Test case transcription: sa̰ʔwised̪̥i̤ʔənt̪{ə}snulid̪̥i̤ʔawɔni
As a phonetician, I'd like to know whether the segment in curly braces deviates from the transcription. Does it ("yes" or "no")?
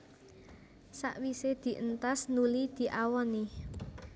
yes